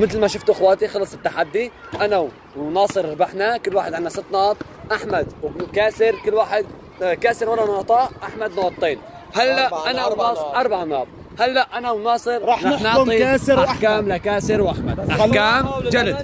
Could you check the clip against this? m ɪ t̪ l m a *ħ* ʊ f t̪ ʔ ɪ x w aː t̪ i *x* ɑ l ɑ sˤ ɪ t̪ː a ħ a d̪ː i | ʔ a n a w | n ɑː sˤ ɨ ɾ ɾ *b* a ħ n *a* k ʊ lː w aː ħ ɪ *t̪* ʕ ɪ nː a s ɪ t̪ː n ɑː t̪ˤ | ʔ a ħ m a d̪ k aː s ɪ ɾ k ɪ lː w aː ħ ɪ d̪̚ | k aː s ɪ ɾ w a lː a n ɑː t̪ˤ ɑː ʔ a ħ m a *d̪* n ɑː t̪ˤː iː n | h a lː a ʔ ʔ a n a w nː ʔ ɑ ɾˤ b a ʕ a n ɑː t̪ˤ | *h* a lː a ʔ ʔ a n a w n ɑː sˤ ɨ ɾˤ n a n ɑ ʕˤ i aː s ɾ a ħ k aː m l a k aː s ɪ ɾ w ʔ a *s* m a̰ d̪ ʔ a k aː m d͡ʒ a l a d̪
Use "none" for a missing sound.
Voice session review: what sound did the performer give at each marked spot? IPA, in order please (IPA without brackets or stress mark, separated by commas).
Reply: ʃ, x, b, a, d̪, d̪, h, ħ